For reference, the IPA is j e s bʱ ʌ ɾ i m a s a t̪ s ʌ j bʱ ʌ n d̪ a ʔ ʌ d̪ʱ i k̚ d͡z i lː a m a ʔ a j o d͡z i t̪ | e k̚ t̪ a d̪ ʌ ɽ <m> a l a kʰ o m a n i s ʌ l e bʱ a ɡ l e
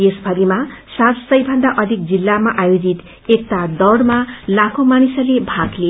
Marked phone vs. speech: correct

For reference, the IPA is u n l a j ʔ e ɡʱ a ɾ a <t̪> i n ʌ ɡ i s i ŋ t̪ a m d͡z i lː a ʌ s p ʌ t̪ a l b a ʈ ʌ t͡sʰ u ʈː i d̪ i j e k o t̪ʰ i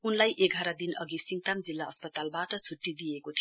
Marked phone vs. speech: incorrect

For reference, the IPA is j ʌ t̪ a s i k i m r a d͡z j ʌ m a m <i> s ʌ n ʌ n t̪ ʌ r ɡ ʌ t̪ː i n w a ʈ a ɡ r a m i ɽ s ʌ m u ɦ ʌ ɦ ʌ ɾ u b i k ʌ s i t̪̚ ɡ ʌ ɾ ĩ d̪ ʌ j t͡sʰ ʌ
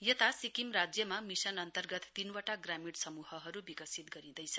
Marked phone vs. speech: correct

